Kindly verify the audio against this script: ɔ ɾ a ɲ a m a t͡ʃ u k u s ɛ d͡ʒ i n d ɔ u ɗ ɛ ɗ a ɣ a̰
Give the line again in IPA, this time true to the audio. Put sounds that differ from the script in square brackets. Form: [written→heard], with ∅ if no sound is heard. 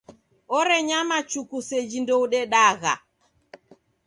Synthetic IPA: ɔ ɾ [a→ɛ] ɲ a m a t͡ʃ u k u s ɛ d͡ʒ i n d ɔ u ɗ ɛ ɗ a ɣ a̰